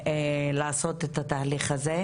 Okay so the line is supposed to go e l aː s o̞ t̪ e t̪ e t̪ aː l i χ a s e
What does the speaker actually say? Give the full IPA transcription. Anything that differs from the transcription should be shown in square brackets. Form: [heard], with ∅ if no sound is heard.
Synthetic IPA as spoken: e l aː s o̞ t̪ e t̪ [a] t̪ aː l i χ a [z] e